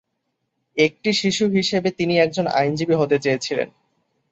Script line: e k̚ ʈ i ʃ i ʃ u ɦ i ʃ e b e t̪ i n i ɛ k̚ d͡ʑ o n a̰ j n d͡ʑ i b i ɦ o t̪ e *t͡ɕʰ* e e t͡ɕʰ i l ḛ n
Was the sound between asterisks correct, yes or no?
no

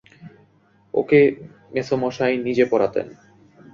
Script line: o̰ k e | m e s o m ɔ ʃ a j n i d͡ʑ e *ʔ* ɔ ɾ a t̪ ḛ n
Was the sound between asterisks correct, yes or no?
no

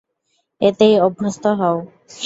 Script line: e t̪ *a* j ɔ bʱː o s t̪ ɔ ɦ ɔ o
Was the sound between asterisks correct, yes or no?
no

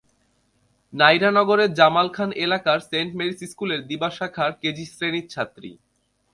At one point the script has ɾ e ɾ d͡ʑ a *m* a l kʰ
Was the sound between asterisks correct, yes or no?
yes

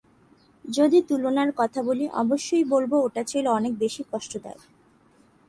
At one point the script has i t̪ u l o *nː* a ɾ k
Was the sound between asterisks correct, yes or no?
no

